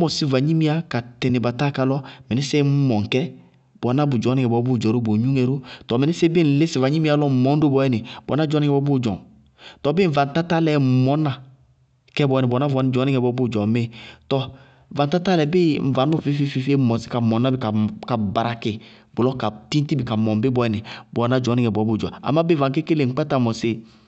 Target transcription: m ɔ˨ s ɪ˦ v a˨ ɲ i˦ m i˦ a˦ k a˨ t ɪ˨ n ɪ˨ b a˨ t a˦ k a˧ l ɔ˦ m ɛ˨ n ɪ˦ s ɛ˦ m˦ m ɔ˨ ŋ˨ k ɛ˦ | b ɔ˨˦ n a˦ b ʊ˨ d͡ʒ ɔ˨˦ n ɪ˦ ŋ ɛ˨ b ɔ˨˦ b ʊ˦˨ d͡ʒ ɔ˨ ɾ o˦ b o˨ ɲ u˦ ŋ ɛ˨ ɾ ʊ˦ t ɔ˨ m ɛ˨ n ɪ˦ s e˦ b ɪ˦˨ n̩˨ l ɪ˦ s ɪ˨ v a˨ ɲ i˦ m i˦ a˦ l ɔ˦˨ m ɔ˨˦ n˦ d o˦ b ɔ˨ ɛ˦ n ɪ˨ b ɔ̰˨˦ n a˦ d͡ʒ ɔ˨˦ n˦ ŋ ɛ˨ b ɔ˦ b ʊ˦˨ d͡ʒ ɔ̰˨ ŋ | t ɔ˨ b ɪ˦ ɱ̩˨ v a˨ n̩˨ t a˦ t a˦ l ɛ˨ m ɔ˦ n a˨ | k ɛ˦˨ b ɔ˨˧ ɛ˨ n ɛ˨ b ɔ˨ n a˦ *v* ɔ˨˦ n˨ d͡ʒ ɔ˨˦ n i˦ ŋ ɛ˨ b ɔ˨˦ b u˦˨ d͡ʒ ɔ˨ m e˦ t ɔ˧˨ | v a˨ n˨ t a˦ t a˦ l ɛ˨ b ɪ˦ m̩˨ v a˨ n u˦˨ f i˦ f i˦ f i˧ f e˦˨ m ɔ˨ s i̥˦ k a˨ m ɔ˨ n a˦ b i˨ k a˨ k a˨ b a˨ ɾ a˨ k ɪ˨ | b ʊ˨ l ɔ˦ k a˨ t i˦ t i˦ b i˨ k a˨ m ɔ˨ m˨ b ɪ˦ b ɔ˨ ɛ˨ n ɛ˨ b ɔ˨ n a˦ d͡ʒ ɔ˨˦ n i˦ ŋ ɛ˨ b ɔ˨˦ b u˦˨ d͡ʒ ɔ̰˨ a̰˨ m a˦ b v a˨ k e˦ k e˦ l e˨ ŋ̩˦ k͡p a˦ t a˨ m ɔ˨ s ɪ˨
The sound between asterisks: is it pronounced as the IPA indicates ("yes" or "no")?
yes